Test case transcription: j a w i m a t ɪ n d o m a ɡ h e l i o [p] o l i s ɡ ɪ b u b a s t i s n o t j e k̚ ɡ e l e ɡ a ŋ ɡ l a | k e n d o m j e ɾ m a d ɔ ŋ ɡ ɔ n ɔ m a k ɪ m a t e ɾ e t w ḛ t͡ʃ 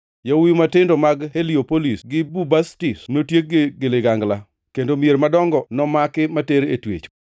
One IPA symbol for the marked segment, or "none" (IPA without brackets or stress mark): p